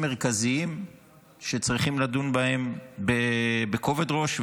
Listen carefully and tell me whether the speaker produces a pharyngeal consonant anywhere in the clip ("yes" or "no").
no